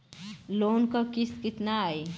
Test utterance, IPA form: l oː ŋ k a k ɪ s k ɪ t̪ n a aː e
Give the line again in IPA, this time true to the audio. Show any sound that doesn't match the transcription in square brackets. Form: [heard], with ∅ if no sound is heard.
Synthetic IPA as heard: l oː [n] k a k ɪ s k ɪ t̪ n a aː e

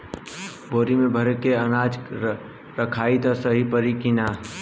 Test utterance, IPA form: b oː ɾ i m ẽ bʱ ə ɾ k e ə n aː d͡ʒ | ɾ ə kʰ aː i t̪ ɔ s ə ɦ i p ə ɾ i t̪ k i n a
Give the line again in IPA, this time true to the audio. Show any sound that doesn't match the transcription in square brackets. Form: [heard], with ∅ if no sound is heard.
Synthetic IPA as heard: b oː ɾ i m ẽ bʱ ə ɾ k e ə n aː d͡ʒ | ɾ ə kʰ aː i t̪ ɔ s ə ɦ i p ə ɾ i [∅] k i n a

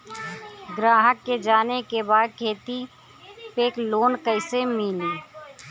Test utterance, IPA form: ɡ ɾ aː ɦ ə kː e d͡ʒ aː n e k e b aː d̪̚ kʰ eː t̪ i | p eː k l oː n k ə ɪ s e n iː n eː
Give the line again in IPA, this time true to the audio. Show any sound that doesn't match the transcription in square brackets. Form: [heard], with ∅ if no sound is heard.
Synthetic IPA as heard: ɡ ɾ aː ɦ ə kː e d͡ʒ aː n e k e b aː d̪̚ kʰ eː t̪ i | p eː k l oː n k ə ɪ s e [m] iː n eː

